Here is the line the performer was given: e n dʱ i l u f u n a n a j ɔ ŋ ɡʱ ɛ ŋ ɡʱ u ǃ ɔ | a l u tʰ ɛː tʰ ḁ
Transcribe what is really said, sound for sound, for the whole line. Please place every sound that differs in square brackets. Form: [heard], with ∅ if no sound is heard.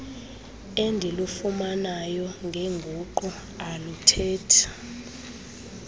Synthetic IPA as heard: e n dʱ i l u f u [m] a n a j ɔ ŋ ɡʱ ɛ ŋ ɡʱ u ǃ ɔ | a l u tʰ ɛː tʰ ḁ